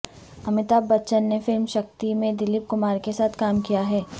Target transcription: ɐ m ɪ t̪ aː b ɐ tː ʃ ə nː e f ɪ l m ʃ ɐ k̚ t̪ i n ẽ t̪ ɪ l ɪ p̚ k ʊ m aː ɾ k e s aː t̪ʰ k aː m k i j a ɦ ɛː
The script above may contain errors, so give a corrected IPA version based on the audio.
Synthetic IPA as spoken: ɐ m ɪ t̪ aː b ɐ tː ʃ ə nː e f ɪ l m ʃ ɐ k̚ t̪ i m ẽ d̪ ɪ l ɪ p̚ k ʊ m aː ɾ k e s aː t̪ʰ k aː m k i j a ɦ ɛː